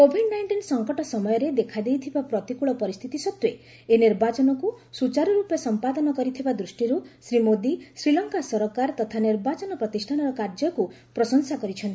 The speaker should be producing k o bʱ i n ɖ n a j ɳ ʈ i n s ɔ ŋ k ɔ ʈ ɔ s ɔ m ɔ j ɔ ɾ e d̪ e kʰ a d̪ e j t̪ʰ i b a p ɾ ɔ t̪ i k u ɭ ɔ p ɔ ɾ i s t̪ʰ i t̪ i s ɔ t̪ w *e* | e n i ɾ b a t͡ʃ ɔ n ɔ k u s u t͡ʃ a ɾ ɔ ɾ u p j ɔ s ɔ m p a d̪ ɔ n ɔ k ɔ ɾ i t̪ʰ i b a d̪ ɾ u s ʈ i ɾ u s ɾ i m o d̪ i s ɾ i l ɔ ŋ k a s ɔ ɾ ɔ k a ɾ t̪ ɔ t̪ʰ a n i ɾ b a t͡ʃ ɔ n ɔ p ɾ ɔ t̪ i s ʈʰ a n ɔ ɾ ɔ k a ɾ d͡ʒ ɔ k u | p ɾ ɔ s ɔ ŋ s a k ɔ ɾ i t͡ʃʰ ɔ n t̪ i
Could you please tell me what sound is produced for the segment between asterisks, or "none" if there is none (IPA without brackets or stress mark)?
e